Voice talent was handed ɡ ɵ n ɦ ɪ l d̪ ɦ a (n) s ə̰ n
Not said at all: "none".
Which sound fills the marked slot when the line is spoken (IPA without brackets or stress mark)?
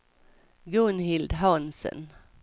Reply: n